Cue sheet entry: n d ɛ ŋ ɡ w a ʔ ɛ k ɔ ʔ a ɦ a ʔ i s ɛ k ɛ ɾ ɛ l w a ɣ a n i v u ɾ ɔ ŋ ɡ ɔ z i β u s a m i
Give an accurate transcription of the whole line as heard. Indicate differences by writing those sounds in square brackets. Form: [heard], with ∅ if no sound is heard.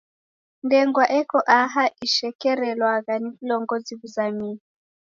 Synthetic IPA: n d ɛ ŋ ɡ w a ʔ ɛ k ɔ ʔ a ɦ a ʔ i [ʃ] ɛ k ɛ ɾ ɛ l w a ɣ a n i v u [l] ɔ ŋ ɡ ɔ z i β u [z] a m i